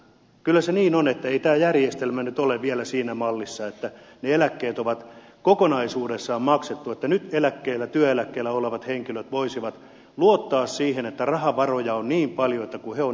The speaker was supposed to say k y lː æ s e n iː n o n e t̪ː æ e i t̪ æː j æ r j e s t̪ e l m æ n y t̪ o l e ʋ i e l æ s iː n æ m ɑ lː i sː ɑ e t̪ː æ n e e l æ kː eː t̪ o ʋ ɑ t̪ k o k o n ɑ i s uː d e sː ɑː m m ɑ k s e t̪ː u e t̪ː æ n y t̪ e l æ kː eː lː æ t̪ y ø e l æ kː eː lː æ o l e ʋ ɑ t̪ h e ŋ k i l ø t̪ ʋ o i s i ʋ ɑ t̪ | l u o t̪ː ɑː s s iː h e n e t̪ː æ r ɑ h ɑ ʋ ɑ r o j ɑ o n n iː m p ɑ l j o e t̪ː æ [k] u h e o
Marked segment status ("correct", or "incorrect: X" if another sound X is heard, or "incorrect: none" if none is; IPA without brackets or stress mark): correct